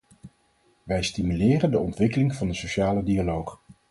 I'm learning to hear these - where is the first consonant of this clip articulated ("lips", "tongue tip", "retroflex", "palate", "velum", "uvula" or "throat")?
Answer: lips